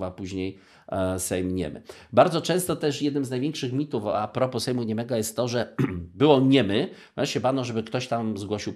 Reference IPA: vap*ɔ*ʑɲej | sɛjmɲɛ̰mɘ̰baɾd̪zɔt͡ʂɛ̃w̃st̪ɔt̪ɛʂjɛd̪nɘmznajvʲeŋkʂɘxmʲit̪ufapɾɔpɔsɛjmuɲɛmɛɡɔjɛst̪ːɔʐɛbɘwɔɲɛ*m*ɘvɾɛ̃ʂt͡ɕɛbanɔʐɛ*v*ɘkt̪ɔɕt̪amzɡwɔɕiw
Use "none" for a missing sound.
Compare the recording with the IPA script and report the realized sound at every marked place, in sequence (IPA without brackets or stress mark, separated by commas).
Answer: u, m, b